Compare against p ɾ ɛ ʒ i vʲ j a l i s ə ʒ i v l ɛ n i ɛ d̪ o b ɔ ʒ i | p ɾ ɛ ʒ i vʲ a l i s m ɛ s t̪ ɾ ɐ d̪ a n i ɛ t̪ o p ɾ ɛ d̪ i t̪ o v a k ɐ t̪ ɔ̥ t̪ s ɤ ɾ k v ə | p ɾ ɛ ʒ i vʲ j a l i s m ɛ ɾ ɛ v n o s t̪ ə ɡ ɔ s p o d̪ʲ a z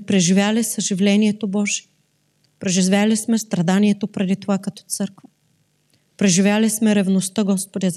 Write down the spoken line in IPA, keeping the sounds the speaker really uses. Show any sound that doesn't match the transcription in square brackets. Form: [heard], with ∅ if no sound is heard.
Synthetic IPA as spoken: p ɾ ɛ ʒ i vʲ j a l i s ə ʒ i v l ɛ n i ɛ [t̪] o b ɔ ʒ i | p ɾ ɛ ʒ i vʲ a l i s m ɛ s t̪ ɾ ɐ d̪ a n i ɛ t̪ o p ɾ ɛ d̪ i t̪ o v a k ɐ t̪ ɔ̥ t̪ s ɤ ɾ k v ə | p ɾ ɛ ʒ i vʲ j a l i s m ɛ ɾ ɛ v n o s t̪ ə ɡ ɔ s p o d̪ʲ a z